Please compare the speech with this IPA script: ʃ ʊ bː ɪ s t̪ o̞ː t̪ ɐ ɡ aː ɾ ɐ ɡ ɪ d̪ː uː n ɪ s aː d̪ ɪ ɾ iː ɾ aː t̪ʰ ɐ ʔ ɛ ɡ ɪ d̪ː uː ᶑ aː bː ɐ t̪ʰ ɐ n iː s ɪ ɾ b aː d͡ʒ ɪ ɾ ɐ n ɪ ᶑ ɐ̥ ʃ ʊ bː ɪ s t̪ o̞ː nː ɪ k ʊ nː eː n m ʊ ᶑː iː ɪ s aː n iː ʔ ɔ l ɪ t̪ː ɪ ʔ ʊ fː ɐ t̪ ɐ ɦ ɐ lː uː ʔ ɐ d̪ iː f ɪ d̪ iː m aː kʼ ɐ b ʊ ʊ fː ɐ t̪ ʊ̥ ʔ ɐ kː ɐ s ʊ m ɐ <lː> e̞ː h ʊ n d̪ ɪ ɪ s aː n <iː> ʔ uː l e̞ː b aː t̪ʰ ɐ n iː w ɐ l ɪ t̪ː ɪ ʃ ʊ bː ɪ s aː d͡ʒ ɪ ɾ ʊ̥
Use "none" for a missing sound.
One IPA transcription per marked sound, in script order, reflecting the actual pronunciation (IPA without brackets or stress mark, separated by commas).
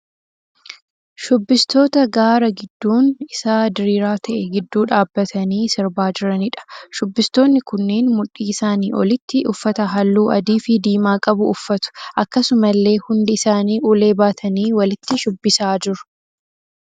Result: lː, iː